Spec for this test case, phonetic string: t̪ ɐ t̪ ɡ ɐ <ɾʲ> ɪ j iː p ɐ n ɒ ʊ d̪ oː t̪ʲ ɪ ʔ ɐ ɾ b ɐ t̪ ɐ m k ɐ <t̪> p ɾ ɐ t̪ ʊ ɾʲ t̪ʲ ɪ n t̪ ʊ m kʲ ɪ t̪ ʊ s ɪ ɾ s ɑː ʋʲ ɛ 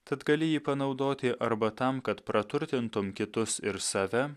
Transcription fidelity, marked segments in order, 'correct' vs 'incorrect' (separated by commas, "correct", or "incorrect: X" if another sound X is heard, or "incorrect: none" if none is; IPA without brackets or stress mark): incorrect: lʲ, correct